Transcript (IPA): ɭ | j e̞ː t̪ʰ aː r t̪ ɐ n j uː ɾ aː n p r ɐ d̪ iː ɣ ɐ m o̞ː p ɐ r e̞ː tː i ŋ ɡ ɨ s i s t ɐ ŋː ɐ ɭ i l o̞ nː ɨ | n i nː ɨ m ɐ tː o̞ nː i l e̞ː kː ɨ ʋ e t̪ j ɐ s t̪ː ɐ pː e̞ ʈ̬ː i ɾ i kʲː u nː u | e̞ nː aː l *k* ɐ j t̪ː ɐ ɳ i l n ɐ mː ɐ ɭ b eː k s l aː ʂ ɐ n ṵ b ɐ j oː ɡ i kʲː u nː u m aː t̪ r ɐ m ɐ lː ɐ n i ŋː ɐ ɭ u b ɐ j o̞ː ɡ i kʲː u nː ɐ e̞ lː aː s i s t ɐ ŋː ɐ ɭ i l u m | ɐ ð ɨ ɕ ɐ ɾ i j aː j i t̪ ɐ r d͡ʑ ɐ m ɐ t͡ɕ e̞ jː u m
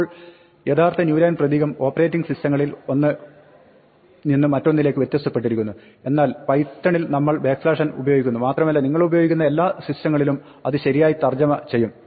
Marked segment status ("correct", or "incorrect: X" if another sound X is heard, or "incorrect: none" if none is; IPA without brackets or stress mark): incorrect: p